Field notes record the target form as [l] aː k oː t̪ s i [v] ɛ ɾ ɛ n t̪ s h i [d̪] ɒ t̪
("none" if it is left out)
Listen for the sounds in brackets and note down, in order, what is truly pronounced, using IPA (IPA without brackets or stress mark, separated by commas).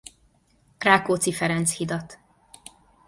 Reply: r, f, d̪